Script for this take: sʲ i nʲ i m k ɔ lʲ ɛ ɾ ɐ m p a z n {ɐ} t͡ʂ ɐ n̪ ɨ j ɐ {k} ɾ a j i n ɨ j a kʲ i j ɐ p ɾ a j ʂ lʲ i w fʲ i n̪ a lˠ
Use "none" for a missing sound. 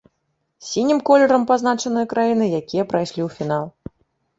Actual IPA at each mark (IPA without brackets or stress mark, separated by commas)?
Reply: a, k